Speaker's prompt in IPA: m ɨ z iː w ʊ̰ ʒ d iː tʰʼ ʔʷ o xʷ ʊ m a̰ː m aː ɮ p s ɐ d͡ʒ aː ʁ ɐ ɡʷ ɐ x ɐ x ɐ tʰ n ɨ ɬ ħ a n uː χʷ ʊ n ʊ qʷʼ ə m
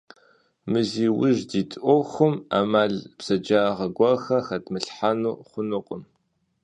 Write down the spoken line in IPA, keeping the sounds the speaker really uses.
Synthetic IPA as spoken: m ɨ z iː w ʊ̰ ʒ d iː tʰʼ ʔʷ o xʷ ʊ m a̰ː m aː ɮ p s ɐ d͡ʒ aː ʁ ɐ ɡʷ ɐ x ɐ x ɐ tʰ m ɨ ɬ ħ a n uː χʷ ʊ n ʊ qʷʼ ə m